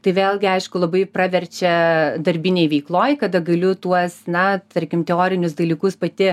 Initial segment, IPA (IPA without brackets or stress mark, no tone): t̪